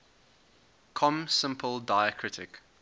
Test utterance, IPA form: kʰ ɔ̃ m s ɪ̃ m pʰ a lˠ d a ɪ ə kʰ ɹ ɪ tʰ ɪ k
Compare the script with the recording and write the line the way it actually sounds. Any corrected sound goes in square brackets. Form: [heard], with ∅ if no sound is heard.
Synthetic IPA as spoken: kʰ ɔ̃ m s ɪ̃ m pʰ [ə] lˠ d a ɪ ə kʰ ɹ ɪ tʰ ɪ k